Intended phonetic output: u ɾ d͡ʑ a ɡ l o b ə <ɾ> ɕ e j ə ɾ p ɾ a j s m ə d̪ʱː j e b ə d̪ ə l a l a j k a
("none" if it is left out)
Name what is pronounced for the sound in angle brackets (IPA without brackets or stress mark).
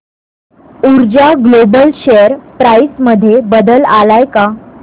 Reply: l